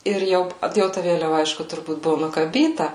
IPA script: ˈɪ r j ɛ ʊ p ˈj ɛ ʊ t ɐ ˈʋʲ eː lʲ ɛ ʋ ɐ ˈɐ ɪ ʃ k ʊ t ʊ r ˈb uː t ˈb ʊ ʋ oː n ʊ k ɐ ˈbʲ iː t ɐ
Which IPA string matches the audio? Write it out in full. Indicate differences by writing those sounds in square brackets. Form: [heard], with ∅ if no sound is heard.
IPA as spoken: ˈɪ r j ɛ ʊ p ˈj ɛ ʊ t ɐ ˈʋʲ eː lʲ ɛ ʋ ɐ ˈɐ ɪ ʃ k ʊ t ʊ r ˈb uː t ˈb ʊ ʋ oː n ʊ k ɐ ˈbʲ iː t ɐ